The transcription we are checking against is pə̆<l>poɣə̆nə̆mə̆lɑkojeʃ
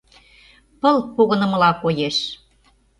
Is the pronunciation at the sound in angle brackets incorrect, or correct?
correct